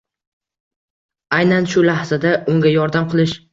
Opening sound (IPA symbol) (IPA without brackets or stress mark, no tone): a